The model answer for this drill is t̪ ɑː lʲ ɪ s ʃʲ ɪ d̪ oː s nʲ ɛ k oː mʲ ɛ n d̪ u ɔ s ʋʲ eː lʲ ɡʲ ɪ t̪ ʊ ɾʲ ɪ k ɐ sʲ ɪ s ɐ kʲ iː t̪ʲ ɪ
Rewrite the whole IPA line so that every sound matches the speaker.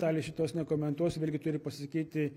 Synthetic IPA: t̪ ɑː lʲ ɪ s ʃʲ ɪ t̪ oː s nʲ ɛ k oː mʲ ɛ n t̪ u ɔ s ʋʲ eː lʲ ɡʲ ɪ t̪ ʊ ɾʲ ɪ p ɐ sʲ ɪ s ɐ kʲ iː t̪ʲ ɪ